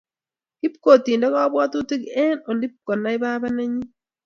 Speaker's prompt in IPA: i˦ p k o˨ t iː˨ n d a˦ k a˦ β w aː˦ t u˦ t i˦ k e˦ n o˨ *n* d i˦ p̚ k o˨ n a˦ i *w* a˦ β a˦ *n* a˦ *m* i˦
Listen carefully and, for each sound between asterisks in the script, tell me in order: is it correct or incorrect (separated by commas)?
correct, incorrect, correct, incorrect